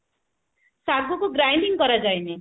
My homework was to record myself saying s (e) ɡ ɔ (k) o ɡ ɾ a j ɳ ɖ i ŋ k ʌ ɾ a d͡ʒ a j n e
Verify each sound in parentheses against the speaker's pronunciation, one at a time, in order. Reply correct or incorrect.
incorrect, correct

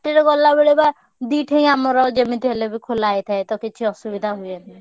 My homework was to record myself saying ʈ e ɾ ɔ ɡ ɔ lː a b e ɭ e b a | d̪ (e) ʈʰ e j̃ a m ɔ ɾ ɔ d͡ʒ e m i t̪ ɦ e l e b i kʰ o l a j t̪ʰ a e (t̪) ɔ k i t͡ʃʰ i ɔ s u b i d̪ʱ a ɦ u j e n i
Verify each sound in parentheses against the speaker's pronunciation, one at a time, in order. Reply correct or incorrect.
incorrect, correct

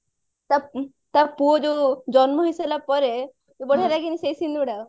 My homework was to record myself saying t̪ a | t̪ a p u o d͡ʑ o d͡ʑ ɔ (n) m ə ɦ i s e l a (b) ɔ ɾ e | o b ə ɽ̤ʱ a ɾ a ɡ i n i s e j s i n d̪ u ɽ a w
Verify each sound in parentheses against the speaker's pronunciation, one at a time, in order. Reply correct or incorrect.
correct, incorrect

